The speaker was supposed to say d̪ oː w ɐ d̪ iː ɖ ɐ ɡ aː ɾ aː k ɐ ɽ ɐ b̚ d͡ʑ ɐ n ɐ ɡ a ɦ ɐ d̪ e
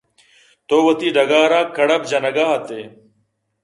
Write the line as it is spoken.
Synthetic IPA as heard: t̪ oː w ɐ t̪ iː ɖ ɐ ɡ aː ɾ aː k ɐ ɽ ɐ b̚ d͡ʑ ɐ n ɐ ɡ a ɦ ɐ t̪ e